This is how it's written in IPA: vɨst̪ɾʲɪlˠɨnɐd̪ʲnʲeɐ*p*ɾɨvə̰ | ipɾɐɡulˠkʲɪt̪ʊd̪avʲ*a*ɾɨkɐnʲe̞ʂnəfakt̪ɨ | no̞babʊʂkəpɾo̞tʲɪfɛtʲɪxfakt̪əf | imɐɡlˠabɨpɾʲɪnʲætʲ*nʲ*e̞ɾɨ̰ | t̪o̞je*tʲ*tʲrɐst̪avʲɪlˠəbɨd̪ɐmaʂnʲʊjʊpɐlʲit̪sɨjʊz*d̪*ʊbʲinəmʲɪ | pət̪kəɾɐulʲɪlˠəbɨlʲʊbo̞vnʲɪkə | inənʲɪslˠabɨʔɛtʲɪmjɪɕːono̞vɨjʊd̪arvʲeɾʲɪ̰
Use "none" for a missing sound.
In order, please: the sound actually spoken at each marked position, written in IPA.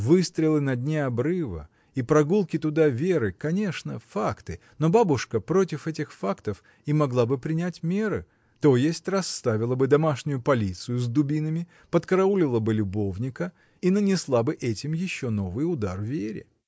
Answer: b, e, mʲ, sʲ, d̪

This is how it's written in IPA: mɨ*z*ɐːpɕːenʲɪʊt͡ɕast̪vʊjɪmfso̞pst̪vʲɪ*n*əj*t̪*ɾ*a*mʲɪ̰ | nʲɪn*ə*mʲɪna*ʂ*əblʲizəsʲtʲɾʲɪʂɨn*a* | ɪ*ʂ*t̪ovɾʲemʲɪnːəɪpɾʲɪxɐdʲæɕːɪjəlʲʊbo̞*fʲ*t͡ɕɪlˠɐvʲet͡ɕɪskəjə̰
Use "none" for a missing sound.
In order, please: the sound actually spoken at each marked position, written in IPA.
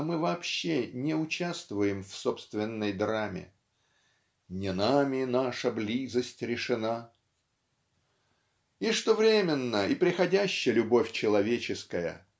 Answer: v, nː, d̪, a, a, ʂ, a, ʂ, fʲ

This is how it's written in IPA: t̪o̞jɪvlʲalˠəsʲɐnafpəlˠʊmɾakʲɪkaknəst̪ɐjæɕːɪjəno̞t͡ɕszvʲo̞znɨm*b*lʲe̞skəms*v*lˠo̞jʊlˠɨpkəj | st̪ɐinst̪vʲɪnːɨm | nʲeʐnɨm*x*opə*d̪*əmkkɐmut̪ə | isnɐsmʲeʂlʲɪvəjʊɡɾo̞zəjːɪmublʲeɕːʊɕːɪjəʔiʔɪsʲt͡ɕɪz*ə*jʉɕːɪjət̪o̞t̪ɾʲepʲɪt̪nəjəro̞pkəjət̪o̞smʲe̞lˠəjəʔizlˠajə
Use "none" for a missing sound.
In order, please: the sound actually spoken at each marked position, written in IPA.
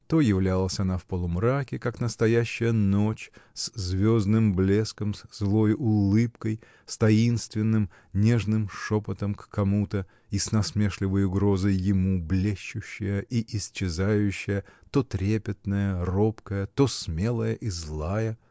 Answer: b, z, ʂ, t̪, a

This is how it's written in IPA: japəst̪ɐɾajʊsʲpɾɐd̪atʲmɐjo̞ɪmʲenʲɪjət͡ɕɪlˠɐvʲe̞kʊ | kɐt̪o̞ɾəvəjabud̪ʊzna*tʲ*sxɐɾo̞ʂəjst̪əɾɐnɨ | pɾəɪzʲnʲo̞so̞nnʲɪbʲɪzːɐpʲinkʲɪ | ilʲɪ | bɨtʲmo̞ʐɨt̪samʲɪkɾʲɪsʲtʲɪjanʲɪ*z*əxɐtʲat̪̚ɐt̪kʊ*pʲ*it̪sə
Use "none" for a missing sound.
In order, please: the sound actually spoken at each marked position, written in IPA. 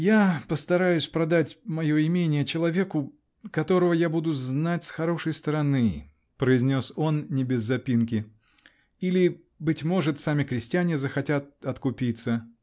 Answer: tʲ, z, pʲ

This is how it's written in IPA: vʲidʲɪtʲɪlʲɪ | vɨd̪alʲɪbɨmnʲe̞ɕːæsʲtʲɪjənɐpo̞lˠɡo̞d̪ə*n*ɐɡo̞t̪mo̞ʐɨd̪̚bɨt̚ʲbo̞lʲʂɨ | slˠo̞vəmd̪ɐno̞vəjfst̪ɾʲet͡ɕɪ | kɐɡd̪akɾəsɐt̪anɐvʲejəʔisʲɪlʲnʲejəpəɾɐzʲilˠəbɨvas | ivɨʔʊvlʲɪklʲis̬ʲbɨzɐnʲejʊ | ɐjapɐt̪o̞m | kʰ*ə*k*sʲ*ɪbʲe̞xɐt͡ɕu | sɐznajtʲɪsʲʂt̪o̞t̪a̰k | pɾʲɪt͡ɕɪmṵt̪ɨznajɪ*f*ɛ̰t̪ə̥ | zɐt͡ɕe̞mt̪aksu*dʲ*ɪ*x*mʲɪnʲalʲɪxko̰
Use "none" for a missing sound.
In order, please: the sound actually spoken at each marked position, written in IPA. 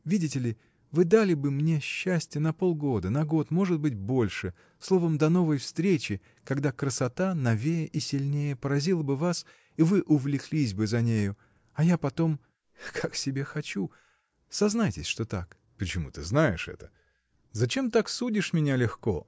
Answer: n, a, sʲ, ʂ, dʲ, ʂ

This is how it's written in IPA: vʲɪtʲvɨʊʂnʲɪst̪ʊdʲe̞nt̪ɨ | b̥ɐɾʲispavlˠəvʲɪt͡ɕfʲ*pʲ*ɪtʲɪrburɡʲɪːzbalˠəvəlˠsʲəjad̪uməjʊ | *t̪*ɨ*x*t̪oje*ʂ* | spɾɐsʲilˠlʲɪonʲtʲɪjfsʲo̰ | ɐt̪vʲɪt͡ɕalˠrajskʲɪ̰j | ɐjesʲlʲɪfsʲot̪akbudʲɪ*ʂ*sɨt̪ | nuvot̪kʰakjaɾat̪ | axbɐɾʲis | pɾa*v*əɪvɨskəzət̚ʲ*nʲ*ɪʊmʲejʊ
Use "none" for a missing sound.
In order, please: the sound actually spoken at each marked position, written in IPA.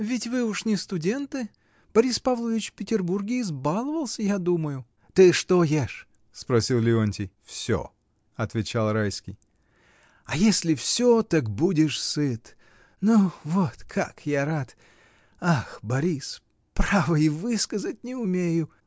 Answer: pʲ, t̪, ʂ, ʂ, ʂ, v, nʲ

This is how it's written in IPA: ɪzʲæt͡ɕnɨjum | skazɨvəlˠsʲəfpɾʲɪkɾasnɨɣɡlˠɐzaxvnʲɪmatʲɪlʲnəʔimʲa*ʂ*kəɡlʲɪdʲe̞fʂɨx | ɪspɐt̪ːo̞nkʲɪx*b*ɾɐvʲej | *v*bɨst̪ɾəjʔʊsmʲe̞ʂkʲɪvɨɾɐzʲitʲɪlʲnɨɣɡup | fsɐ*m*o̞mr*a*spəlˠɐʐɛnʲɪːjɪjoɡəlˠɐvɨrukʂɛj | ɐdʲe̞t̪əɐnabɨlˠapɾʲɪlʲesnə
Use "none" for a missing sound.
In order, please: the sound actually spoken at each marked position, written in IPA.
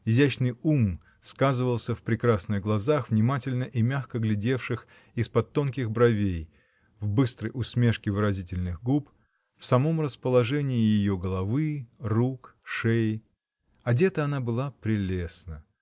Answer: x, b, v, m, ə

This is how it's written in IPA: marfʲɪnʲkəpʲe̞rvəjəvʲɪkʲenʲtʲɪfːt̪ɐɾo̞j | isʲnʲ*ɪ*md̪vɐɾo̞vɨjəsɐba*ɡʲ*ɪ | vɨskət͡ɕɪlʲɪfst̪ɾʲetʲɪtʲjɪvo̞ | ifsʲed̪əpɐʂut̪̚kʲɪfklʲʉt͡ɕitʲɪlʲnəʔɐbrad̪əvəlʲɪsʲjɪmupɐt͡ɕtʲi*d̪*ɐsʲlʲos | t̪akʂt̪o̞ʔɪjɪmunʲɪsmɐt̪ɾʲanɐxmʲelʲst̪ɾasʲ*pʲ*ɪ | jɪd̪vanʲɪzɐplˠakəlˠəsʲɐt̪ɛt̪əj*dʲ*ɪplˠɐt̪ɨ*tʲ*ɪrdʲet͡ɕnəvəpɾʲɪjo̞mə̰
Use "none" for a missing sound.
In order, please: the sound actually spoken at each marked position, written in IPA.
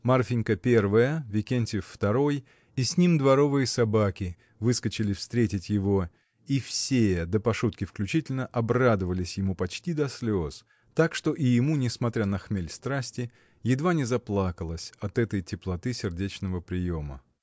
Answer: i, kʲ, d̪, tʲ, tʲ, sʲ

